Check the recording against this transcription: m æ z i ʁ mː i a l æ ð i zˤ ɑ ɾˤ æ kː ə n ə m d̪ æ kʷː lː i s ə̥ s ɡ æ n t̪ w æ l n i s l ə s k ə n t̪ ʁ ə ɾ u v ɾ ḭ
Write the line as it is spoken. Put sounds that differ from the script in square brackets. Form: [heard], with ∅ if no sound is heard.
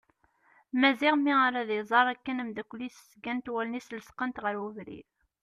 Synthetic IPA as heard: m æ z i ʁ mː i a [ɾ] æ ð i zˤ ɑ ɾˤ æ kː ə n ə m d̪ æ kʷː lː i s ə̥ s ɡ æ n t̪ w æ l n i s l ə s [q] ə n t̪ ʁ ə ɾ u v ɾ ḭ